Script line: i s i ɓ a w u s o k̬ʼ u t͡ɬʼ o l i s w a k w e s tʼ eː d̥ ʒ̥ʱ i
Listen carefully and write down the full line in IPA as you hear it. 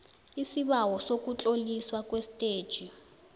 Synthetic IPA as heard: i s i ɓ a w ɔ s o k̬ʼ u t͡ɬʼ o l i s w a k w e s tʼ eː d̥ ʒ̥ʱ i